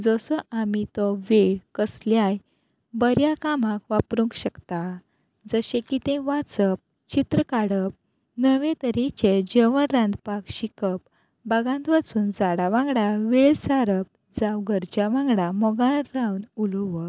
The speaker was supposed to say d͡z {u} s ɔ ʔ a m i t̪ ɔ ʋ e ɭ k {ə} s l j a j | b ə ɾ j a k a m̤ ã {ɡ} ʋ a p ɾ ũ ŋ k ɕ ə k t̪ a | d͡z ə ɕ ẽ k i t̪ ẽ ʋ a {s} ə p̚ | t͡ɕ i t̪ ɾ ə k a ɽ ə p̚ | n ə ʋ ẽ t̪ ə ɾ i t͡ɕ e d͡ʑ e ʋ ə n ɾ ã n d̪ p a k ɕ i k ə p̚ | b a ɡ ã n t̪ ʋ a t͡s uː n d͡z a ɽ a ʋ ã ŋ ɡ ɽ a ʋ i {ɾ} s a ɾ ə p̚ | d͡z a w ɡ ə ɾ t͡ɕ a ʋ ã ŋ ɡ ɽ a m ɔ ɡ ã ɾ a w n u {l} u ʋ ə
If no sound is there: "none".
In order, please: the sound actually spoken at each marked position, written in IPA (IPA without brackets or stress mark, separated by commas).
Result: ɔ, ə, k, t͡s, ɭ, l